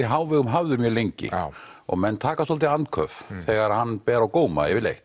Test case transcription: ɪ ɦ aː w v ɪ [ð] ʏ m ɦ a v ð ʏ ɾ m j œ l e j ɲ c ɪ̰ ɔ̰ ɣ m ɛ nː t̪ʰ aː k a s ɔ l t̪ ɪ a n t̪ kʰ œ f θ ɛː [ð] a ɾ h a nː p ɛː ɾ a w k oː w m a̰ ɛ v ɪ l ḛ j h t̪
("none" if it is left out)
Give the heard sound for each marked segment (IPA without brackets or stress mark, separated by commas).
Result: ɣ, ɣ